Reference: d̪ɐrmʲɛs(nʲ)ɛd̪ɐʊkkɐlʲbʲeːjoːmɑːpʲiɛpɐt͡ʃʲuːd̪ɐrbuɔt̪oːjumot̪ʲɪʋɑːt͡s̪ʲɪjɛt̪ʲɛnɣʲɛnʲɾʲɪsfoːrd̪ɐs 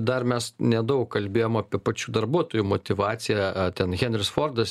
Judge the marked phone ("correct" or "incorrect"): correct